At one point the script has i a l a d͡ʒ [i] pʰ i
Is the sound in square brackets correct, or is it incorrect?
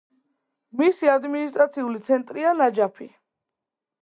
incorrect